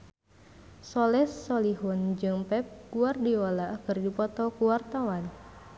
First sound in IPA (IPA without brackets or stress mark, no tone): s